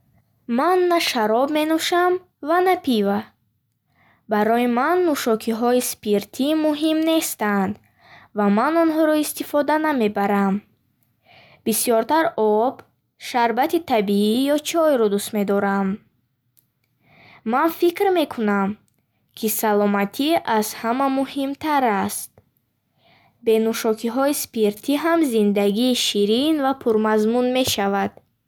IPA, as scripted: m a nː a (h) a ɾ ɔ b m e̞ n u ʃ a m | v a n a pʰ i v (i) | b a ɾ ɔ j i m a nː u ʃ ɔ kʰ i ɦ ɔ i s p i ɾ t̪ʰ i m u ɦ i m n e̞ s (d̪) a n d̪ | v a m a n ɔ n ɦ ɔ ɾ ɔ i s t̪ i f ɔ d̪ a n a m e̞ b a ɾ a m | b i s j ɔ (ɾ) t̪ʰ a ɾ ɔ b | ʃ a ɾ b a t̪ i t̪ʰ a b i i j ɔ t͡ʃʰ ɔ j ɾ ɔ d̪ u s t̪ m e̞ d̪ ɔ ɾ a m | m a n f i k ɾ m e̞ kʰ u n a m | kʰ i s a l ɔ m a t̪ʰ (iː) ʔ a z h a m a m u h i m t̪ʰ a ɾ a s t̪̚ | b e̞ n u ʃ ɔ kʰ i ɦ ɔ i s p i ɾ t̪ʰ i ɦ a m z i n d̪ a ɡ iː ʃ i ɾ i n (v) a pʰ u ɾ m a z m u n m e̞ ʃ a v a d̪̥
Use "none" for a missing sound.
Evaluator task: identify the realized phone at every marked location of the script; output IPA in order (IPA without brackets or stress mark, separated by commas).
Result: ʃ, a, t̪, ɾ, i, v